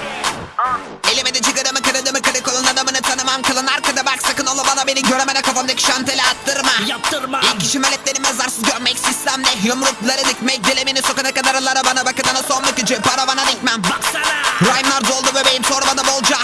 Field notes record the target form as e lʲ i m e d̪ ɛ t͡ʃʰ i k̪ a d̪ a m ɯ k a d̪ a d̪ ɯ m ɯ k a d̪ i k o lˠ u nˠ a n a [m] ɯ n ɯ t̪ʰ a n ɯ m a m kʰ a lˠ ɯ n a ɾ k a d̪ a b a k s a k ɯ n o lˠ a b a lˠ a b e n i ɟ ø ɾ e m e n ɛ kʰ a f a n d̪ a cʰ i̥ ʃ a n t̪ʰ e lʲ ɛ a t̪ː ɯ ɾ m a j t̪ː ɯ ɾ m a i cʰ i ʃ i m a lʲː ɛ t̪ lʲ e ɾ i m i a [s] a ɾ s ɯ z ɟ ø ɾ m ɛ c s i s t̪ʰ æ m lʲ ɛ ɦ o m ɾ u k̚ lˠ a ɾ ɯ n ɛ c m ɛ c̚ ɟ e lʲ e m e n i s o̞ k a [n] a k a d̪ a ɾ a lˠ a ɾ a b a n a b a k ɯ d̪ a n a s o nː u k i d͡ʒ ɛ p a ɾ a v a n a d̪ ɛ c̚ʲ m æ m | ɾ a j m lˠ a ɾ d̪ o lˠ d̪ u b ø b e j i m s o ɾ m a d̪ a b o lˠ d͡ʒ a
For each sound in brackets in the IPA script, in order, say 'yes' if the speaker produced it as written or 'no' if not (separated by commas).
yes, no, yes